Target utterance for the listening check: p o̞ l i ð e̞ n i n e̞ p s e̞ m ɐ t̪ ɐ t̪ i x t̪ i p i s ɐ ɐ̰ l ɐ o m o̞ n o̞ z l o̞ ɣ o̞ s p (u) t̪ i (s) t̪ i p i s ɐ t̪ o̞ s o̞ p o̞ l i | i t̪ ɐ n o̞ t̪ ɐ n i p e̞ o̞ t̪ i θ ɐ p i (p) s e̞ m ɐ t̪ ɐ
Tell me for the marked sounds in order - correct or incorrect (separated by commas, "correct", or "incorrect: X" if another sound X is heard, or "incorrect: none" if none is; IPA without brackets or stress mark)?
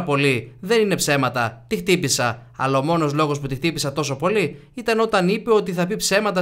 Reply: correct, incorrect: x, correct